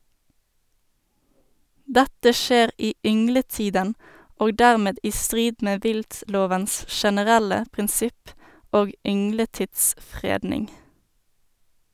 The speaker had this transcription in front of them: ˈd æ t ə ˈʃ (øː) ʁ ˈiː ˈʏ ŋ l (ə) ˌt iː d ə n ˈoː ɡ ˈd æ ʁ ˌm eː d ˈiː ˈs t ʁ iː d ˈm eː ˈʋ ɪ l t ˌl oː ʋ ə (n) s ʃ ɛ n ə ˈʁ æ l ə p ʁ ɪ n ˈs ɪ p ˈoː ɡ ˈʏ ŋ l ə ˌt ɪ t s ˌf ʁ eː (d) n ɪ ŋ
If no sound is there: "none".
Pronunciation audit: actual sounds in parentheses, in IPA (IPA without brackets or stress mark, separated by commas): eː, ə, n, d